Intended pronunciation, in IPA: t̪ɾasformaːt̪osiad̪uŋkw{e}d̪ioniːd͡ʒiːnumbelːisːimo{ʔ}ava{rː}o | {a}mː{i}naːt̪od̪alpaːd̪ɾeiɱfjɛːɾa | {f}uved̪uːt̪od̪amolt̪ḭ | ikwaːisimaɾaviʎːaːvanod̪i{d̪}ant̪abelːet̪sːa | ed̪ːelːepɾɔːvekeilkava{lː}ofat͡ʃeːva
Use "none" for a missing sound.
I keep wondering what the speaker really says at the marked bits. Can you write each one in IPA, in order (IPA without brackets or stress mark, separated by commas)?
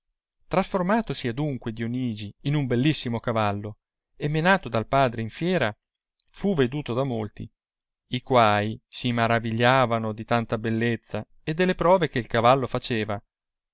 e, k, lː, e, e, f, t̪, lː